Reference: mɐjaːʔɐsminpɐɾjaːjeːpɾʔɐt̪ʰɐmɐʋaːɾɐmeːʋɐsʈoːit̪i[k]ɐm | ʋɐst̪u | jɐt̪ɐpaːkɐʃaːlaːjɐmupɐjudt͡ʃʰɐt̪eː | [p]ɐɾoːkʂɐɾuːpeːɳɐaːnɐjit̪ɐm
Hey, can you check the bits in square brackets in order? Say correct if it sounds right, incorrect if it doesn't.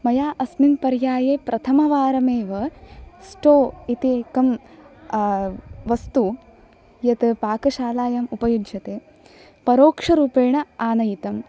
correct, correct

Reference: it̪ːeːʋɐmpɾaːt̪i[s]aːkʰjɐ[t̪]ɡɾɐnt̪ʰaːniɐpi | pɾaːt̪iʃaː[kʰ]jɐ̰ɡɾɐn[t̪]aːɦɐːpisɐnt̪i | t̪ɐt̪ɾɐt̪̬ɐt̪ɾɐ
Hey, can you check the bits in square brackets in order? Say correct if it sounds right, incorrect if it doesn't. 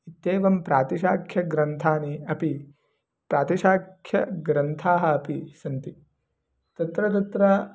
incorrect: ʃ, incorrect: none, correct, incorrect: t̪ʰ

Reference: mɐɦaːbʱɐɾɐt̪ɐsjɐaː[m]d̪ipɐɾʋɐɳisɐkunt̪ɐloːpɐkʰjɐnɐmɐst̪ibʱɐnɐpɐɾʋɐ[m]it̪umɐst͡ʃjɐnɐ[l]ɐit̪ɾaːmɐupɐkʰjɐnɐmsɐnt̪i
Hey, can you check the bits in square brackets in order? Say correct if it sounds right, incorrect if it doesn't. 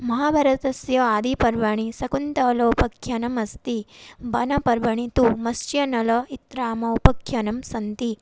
incorrect: none, incorrect: ɳ, correct

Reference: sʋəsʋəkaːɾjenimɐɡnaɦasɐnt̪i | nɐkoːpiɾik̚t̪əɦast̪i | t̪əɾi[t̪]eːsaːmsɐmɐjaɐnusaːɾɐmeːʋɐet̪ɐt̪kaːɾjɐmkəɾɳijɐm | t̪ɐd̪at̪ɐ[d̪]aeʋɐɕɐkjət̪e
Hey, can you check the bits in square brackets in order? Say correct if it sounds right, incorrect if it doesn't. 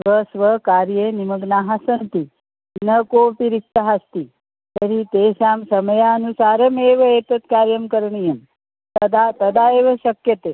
correct, correct

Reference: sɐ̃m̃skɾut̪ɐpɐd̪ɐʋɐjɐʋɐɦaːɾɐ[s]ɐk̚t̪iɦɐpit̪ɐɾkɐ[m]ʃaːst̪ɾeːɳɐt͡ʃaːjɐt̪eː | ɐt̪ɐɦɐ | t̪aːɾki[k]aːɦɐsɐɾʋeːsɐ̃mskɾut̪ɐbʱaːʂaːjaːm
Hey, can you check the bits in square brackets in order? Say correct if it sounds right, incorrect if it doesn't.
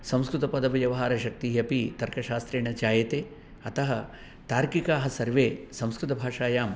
incorrect: ʃ, incorrect: none, correct

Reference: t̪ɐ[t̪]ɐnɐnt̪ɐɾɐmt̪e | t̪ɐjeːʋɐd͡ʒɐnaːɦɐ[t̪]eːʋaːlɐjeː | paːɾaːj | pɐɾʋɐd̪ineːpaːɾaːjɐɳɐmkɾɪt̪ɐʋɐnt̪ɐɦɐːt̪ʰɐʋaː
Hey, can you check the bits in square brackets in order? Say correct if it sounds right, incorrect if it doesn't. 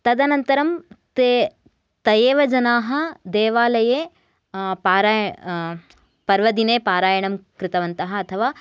incorrect: d̪, incorrect: d̪

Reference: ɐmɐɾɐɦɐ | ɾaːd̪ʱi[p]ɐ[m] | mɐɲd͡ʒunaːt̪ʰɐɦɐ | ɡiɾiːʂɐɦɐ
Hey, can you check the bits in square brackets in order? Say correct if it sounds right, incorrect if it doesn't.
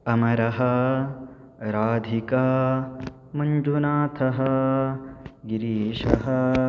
incorrect: k, incorrect: none

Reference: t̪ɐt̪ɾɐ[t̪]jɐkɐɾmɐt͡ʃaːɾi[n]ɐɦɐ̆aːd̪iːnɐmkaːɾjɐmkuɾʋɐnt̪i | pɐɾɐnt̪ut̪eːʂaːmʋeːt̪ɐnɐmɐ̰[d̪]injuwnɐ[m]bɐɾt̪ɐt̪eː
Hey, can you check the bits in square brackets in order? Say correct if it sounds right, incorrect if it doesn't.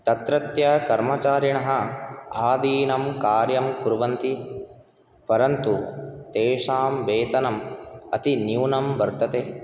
correct, incorrect: ɳ, incorrect: t̪, correct

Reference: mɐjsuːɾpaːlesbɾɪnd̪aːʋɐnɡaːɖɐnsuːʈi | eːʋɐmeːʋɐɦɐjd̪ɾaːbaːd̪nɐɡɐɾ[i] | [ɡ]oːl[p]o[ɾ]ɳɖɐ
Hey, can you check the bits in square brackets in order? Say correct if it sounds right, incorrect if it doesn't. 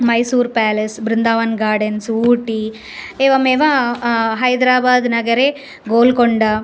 incorrect: e, correct, incorrect: k, incorrect: none

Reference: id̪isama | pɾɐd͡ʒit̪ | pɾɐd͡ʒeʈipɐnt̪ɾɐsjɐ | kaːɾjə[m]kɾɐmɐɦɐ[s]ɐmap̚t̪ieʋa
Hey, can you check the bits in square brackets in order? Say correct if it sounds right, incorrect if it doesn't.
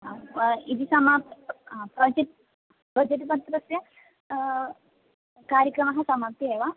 incorrect: none, correct

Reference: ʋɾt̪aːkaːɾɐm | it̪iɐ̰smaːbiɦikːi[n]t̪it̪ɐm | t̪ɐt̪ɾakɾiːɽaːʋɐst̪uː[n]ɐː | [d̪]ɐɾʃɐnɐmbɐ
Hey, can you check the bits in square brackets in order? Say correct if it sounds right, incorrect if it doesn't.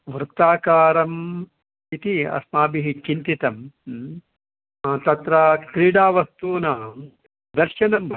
correct, correct, correct

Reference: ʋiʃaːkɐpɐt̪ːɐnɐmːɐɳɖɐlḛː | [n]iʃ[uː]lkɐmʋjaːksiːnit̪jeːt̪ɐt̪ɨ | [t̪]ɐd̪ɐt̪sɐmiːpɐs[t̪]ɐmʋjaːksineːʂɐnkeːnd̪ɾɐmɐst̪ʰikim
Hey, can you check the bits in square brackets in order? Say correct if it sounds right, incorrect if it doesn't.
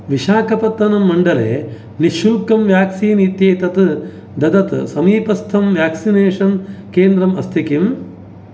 correct, incorrect: u, incorrect: d̪, incorrect: t̪ʰ

